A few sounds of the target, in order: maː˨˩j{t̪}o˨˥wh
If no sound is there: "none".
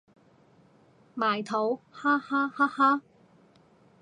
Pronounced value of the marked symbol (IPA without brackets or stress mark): t̪ʰ